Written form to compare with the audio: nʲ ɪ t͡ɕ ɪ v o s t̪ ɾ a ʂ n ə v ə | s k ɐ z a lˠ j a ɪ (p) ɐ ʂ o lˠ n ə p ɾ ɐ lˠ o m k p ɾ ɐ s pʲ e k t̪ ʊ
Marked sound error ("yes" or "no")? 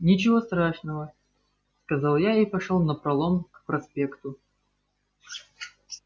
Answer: no